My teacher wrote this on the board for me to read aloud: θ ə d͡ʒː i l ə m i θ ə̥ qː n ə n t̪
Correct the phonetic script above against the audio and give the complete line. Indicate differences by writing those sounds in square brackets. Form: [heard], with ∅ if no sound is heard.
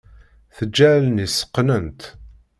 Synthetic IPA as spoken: θ ə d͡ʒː [æ] l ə [n] i [s] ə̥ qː n ə n t̪